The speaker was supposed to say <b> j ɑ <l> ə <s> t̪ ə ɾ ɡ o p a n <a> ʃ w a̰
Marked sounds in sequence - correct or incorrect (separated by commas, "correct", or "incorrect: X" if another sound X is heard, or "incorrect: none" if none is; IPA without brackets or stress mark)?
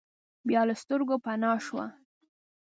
correct, correct, correct, incorrect: ɑ